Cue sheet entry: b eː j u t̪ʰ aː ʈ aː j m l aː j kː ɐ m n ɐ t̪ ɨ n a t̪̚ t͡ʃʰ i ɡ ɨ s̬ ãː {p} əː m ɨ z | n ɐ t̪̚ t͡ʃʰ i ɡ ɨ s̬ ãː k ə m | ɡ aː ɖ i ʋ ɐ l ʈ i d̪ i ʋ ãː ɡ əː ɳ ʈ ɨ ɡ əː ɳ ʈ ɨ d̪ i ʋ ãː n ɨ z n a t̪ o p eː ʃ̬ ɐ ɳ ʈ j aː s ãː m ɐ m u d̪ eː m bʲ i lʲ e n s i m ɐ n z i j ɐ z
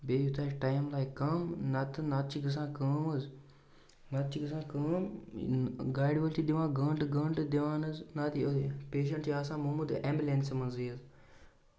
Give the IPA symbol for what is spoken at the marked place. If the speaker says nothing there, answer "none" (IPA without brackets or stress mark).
k